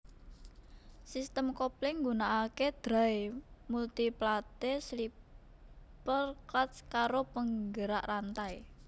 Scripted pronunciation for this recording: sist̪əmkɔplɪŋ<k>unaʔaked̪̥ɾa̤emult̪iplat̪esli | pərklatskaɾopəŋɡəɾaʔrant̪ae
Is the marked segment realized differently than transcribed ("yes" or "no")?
yes